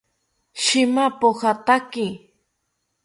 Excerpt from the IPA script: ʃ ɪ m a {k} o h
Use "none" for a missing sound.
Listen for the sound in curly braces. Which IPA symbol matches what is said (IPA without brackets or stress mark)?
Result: p